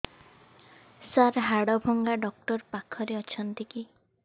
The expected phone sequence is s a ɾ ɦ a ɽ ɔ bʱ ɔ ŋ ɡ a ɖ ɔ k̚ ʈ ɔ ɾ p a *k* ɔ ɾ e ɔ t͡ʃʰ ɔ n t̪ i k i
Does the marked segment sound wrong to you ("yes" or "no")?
yes